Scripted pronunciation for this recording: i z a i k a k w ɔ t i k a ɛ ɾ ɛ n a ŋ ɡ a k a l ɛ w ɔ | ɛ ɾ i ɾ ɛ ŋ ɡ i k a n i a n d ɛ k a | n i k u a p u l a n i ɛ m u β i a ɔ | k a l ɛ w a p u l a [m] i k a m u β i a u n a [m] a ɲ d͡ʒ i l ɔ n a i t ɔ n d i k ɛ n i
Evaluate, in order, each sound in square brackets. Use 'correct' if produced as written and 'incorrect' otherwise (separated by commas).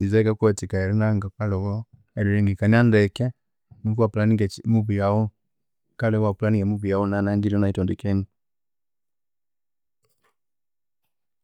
incorrect, incorrect